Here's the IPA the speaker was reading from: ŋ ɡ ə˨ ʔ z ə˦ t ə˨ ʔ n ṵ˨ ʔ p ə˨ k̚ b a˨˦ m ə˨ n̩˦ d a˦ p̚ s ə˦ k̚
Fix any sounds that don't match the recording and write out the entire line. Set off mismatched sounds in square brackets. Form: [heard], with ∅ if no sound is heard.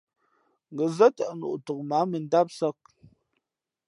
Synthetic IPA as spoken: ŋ ɡ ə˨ [∅] z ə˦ t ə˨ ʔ n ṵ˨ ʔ [t] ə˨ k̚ [m] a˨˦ m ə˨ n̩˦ d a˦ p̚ s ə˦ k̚